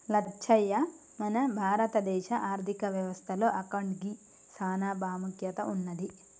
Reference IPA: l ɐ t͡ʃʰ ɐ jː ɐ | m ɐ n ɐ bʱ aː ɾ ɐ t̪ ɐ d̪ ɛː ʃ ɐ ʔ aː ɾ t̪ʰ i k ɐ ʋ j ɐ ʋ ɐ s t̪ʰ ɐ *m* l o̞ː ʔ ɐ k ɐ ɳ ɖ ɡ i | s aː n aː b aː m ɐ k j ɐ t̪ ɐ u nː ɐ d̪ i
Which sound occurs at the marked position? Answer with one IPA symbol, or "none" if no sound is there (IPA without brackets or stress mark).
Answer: none